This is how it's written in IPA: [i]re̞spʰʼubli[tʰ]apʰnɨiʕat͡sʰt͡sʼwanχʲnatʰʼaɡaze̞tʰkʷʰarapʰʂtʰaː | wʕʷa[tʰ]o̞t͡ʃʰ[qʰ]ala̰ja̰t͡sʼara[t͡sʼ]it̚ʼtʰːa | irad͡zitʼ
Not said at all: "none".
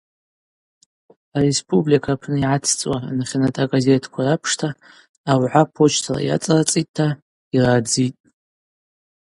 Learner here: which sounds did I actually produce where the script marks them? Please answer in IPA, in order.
a, kʰ, pʰ, tʰ, t͡sʼ

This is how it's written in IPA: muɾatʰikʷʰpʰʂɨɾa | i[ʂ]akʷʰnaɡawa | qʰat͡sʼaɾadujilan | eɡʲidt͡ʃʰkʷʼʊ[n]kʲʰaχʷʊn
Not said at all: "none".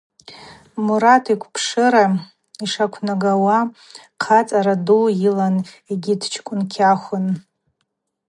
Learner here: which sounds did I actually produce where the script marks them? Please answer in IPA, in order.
ʂ, n

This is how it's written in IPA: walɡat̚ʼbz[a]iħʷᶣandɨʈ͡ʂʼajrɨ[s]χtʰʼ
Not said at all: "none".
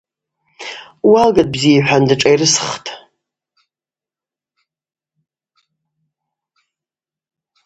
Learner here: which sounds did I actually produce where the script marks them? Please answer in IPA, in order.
i, s

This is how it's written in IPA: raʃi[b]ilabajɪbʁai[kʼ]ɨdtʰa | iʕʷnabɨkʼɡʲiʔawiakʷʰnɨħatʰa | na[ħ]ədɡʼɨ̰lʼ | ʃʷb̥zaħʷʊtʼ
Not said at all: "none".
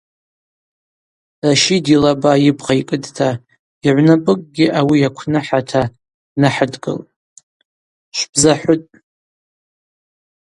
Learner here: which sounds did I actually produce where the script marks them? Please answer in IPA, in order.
d, kʼ, ħ

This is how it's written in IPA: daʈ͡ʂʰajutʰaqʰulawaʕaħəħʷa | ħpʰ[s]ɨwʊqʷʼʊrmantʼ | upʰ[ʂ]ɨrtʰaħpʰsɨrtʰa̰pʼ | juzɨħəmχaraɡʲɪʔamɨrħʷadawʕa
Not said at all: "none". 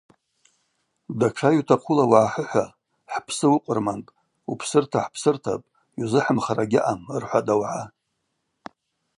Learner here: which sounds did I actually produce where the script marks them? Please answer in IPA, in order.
s, s

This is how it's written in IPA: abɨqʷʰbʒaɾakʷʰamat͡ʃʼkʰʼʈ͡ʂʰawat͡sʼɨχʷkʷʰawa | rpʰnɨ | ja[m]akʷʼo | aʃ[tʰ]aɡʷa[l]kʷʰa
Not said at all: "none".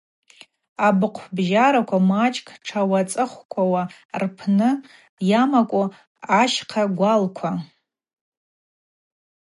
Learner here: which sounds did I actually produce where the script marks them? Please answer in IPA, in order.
m, qʰ, l

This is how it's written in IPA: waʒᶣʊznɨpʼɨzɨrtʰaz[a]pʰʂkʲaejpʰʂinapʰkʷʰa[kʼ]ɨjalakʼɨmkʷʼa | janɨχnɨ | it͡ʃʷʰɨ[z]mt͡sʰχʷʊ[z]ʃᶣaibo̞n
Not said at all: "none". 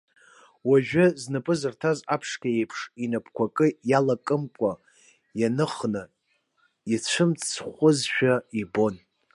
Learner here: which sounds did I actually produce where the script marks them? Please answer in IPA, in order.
a, kʼ, none, z

